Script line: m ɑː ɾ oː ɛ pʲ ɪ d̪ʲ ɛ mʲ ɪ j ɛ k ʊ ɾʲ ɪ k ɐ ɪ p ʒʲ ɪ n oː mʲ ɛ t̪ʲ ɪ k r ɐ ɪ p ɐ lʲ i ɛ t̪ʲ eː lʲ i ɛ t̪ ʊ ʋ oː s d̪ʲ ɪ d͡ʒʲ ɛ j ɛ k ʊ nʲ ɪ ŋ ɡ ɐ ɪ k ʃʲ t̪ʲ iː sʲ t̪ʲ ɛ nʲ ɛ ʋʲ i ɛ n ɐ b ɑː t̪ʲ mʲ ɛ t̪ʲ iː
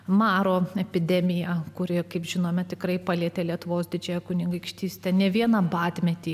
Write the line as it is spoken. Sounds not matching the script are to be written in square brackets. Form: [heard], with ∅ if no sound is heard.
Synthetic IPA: m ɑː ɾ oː ɛ pʲ ɪ d̪ʲ ɛ mʲ ɪ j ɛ k ʊ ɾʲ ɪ k ɐ ɪ p ʒʲ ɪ n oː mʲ ɛ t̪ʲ ɪ k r ɐ ɪ p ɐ lʲ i ɛ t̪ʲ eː lʲ i ɛ t̪ ʊ ʋ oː s d̪ʲ ɪ d͡ʒʲ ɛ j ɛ k ʊ nʲ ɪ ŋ ɡ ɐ ɪ k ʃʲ t̪ʲ iː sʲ t̪ʲ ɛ nʲ ɛ ʋʲ i ɛ n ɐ b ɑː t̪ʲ mʲ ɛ t̪ʲ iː